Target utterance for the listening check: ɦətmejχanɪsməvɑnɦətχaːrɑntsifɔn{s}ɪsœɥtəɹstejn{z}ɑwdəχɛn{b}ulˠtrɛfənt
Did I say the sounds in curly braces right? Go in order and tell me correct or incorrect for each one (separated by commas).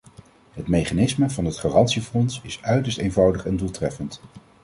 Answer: correct, incorrect, incorrect